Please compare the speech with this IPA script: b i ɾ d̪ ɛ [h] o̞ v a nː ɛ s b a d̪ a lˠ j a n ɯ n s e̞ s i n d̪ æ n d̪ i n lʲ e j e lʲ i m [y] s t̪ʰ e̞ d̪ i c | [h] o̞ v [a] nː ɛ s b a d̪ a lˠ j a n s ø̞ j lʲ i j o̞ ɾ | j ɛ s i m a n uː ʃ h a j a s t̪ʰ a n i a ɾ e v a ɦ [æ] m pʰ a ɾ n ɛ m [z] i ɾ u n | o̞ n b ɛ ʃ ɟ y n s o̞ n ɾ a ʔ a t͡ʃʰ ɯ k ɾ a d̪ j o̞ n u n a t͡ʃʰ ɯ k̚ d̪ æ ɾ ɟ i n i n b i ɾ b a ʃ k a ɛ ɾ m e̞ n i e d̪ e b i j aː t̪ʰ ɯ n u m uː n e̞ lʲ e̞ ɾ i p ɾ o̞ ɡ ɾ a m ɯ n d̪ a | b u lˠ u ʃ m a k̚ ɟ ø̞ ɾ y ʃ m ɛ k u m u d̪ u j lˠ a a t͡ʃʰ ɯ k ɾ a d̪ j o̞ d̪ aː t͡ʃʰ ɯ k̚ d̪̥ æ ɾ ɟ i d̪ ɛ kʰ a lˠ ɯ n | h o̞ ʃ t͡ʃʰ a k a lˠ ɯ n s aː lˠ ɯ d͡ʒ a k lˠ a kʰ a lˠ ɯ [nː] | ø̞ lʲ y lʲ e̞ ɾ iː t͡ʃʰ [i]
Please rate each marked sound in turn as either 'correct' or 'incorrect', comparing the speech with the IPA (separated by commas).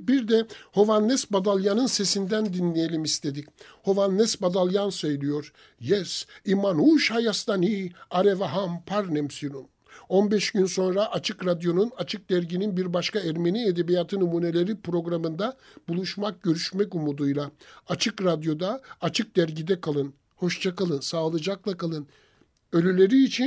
correct, incorrect, correct, correct, incorrect, incorrect, incorrect, correct